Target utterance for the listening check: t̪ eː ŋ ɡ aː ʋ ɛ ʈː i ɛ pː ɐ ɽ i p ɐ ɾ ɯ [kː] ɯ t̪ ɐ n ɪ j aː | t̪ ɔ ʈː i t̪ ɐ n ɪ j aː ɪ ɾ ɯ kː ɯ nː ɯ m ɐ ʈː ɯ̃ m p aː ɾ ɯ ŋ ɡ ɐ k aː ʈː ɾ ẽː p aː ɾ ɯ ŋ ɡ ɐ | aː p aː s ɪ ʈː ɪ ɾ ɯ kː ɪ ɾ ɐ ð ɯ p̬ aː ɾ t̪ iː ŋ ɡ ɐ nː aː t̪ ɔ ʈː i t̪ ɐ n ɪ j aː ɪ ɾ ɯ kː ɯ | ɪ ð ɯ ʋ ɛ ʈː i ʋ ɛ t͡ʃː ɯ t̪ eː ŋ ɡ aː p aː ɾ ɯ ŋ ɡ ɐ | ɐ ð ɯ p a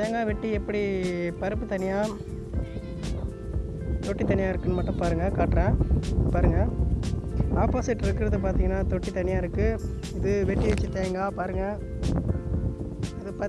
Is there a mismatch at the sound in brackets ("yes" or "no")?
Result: yes